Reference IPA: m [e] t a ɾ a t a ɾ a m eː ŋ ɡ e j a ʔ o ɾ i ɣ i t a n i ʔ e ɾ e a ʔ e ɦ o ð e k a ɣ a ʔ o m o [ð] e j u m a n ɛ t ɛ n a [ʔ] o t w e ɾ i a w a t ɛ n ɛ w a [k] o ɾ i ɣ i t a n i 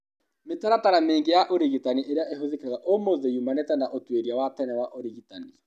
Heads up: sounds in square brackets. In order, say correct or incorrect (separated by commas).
correct, correct, correct, incorrect